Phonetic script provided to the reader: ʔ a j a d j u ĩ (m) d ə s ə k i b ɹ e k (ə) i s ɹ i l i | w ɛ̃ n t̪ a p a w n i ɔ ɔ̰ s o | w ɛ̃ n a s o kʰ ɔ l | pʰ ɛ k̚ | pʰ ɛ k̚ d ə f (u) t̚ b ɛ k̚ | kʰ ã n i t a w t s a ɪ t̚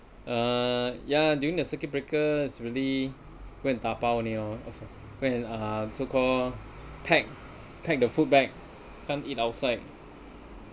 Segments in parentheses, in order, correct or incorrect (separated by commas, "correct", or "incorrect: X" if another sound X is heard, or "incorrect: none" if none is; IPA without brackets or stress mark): incorrect: ŋ, correct, correct